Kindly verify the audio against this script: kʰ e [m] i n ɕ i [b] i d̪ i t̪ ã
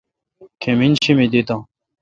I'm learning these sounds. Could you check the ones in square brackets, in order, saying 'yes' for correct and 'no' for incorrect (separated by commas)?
yes, no